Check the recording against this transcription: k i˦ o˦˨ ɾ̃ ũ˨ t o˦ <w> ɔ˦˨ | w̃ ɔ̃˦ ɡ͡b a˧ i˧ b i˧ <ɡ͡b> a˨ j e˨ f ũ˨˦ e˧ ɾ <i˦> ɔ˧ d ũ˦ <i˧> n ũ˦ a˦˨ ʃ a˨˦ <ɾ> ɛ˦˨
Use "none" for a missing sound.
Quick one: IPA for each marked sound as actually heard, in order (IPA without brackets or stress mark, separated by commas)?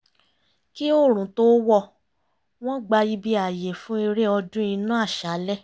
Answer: w, none, e˦, i˧, l